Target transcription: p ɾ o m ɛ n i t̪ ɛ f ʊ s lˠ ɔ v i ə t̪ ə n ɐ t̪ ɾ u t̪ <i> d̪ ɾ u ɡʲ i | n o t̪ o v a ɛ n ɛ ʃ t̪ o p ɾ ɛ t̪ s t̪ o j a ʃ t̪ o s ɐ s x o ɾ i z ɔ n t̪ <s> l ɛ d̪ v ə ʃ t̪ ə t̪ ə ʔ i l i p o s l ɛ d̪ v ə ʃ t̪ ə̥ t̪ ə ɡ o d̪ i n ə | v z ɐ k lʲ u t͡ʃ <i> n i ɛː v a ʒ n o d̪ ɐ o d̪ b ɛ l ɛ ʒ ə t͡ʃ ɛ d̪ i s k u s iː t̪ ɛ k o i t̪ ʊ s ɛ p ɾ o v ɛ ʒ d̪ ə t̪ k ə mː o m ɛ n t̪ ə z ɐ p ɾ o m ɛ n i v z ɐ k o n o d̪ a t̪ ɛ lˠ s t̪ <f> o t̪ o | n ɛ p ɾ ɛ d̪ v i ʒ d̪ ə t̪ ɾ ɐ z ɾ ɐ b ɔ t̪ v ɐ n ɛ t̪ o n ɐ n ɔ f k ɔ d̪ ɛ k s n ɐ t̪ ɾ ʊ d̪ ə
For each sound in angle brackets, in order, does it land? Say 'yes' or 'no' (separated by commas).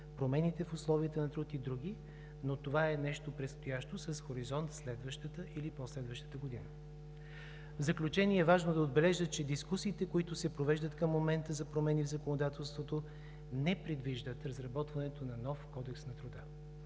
yes, yes, no, no